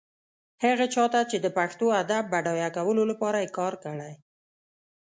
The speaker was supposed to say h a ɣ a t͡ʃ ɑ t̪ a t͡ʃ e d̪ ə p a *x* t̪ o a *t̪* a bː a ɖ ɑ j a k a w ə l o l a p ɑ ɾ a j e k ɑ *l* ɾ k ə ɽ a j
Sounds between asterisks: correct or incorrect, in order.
correct, incorrect, incorrect

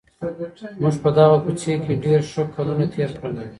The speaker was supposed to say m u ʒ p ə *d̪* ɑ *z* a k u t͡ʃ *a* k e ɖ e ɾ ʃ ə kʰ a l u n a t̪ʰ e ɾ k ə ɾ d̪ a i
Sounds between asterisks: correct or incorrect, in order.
correct, incorrect, incorrect

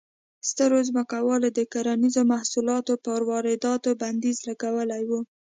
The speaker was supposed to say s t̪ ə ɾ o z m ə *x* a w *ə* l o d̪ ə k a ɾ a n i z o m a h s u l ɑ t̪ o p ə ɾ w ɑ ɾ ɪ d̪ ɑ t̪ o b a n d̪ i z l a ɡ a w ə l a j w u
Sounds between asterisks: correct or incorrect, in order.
incorrect, incorrect

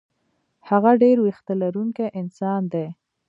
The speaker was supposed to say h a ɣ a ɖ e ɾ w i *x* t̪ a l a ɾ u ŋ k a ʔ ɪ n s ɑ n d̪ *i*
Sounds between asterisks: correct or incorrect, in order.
correct, incorrect

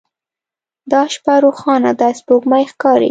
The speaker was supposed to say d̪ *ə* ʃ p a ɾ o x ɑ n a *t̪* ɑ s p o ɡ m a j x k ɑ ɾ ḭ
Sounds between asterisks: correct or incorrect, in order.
incorrect, incorrect

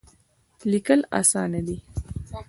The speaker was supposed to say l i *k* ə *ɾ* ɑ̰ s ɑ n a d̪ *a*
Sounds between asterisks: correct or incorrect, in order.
correct, incorrect, incorrect

